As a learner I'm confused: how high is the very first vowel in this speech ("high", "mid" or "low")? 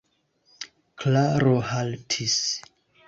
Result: low